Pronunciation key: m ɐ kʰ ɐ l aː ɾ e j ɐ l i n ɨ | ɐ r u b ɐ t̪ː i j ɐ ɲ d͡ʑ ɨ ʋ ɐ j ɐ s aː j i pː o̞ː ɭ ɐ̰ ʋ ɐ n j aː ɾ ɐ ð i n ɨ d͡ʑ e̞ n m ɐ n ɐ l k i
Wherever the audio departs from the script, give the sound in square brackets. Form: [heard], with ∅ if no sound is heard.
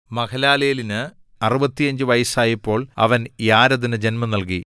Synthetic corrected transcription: m ɐ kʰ ɐ l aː [l] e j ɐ l i n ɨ | ɐ r u b ɐ t̪ː i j ɐ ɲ d͡ʑ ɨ ʋ ɐ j ɐ s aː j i pː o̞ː ɭ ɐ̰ ʋ ɐ n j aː ɾ ɐ ð i n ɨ d͡ʑ e̞ n m ɐ n ɐ l k i